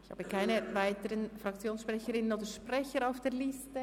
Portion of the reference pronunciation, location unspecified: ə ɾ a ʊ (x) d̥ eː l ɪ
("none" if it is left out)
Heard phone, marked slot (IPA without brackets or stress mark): f